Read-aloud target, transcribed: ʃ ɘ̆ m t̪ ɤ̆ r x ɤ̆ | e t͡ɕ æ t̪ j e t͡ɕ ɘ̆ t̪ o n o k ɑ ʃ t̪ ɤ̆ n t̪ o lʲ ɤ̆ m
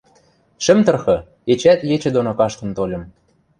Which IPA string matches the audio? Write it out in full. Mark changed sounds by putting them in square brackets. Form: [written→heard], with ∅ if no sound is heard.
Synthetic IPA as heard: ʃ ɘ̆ m t̪ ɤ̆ r x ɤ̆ | e t͡ɕ æ t̪ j e t͡ɕ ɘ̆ [t̪→d̪] o n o k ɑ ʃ t̪ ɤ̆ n t̪ o lʲ ɤ̆ m